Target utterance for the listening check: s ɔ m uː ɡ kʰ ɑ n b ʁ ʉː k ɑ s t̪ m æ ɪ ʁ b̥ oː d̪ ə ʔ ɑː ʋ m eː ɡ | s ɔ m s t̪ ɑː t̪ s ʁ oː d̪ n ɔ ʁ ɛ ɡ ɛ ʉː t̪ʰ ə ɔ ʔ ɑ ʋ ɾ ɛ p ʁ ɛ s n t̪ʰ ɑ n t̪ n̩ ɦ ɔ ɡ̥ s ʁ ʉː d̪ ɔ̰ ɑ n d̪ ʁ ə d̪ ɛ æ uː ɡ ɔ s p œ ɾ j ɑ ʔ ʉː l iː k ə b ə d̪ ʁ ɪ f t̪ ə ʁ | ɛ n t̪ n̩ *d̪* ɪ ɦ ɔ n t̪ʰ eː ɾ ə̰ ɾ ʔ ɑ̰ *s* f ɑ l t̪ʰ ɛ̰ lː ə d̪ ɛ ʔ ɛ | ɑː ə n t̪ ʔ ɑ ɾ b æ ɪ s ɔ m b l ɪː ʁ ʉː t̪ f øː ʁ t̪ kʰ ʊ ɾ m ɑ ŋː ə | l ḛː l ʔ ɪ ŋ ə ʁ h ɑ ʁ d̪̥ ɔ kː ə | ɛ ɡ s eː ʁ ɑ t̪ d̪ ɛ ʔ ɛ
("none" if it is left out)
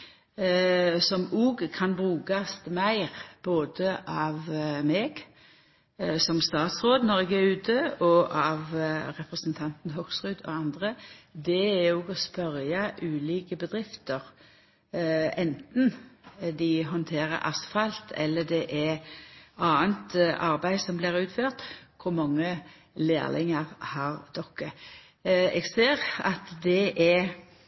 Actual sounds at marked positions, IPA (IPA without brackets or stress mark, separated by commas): d̪, s